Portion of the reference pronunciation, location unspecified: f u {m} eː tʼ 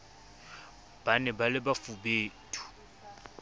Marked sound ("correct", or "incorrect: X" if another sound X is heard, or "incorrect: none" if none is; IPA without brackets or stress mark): incorrect: b